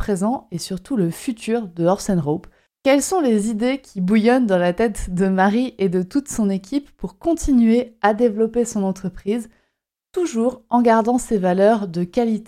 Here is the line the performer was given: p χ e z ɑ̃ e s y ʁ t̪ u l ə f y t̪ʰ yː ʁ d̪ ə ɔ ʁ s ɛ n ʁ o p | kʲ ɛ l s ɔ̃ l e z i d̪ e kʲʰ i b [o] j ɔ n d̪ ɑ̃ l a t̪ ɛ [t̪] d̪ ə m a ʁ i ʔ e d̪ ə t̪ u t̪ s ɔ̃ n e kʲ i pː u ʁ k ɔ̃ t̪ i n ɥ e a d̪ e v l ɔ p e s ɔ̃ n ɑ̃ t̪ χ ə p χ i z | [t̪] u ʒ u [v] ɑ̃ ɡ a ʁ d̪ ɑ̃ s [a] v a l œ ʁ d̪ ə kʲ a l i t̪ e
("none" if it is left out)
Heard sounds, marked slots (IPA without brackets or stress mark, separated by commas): u, t̪, t̪, ʁ, e